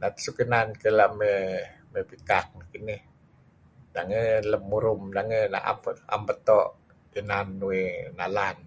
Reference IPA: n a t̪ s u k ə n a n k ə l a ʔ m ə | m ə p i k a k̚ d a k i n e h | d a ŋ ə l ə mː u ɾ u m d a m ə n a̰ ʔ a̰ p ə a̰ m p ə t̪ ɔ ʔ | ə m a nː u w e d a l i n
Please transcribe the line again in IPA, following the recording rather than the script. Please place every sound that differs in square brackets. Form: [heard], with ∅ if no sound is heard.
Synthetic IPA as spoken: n a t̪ s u k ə n a n k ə l a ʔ m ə | m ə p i k a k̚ [n] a k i n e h | d a ŋ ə l ə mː u ɾ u m d a [ŋ] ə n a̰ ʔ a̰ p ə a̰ m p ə t̪ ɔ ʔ | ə [n] a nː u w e [n] a l [a] n